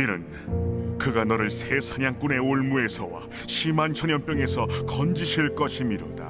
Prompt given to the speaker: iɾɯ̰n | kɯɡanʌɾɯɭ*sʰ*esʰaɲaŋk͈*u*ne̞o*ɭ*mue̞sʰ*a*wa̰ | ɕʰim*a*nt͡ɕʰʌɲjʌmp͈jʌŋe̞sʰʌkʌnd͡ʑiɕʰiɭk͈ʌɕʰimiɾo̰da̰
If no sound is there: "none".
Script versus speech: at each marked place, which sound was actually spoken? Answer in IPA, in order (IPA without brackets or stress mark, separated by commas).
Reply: sʰ, u, ɭ, ʌ, a